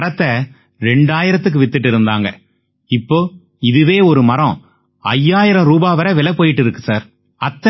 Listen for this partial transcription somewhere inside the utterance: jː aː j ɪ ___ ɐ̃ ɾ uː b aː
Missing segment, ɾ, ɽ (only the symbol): ɾ